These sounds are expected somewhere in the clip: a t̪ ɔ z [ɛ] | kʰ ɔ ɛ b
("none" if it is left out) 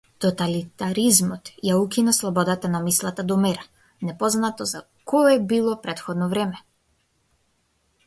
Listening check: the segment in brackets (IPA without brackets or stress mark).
a